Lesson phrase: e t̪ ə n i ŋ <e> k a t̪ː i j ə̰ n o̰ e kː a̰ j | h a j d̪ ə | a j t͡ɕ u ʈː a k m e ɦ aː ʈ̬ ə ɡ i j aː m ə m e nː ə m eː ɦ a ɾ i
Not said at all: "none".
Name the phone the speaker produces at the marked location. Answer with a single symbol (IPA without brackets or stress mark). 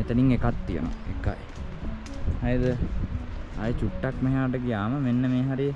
e